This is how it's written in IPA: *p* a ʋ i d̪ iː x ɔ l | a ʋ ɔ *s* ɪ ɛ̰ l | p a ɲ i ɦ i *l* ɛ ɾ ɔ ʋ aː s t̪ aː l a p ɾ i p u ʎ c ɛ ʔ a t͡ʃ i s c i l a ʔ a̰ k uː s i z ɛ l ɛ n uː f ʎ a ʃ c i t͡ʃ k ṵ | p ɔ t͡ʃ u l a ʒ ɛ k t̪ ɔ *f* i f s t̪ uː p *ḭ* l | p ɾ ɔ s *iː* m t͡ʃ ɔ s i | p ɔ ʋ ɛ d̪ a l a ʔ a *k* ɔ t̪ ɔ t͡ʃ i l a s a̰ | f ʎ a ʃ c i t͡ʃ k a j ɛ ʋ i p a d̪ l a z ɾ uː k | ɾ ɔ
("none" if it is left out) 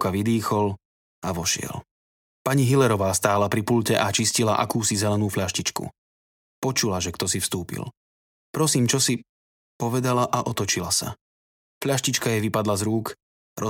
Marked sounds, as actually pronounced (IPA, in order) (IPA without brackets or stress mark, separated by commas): k, ʃ, l, s, ḭ, iː, ʔ